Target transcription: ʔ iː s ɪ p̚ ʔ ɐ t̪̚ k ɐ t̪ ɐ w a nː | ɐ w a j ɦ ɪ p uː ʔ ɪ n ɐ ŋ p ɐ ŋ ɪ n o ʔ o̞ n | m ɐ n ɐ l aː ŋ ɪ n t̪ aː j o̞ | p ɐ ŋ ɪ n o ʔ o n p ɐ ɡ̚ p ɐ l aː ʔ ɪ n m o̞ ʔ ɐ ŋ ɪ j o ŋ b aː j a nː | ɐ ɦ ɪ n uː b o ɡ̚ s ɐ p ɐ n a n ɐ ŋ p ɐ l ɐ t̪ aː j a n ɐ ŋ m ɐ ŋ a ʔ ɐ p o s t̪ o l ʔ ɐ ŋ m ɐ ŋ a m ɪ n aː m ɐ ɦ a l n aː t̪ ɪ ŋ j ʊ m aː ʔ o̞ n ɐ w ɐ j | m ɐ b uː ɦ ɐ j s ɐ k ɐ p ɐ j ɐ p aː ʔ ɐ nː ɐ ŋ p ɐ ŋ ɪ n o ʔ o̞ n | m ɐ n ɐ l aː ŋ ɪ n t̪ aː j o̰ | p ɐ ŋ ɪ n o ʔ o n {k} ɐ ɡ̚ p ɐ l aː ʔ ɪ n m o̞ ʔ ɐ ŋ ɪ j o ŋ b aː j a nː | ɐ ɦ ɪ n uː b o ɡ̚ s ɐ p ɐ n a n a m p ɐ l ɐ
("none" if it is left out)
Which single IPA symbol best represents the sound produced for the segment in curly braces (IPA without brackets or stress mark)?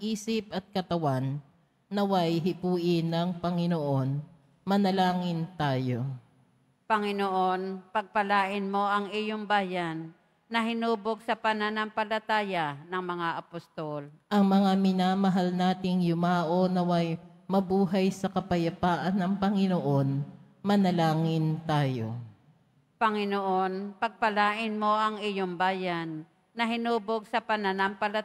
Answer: p